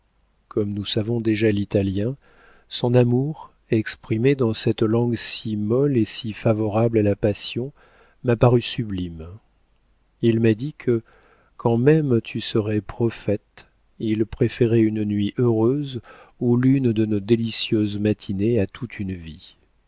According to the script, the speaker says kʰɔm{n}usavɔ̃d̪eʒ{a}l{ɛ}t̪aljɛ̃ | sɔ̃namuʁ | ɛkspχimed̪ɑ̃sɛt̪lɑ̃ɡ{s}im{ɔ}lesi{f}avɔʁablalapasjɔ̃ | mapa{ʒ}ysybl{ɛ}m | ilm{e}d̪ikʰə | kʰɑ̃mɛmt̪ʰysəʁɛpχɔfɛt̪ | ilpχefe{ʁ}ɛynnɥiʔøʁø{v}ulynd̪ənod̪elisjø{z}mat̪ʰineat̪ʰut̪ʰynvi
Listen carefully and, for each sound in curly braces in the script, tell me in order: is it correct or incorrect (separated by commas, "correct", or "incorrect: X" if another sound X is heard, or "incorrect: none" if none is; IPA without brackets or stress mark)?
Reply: correct, correct, incorrect: i, correct, correct, correct, incorrect: ʁ, incorrect: i, incorrect: a, correct, incorrect: z, correct